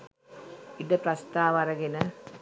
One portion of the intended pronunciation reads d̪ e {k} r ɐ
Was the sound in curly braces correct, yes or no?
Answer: no